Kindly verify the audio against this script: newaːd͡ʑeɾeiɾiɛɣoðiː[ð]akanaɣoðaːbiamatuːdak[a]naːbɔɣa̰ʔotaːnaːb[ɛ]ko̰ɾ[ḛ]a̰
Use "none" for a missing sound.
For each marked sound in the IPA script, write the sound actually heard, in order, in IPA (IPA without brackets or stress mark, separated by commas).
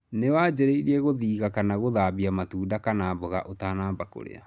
ɣ, a, a, ḛ